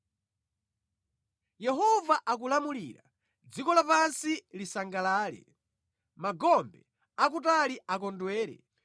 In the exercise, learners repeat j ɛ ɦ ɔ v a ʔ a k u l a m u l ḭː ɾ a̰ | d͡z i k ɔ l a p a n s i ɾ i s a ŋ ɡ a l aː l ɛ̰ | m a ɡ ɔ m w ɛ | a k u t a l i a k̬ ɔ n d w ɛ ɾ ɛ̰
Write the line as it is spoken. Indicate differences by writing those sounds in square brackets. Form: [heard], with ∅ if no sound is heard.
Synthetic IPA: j ɛ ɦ ɔ v a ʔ a k u l a m u l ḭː ɾ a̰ | d͡z i k ɔ l a p a n s i [l] i s a ŋ ɡ a l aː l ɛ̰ | m a ɡ ɔ m [b] ɛ | a k u t a l i a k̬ ɔ n d w [ɛː] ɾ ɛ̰